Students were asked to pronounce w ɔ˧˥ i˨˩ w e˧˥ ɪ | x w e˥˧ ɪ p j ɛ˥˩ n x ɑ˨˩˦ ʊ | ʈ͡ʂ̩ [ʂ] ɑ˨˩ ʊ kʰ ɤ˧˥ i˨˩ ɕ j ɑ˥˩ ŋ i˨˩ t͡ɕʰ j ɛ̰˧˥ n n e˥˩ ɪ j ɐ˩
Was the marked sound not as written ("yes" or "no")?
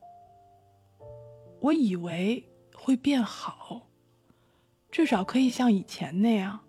no